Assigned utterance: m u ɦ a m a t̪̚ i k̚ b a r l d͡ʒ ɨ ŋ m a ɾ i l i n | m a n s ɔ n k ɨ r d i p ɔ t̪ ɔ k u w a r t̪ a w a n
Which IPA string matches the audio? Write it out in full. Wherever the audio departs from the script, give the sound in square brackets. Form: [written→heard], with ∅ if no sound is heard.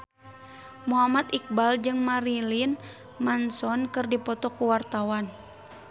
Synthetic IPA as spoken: m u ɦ a m a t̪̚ i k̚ b a [r→∅] l d͡ʒ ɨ ŋ m a ɾ i l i n | m a n s ɔ n k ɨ r d i p ɔ t̪ ɔ k u w a r t̪ a w a n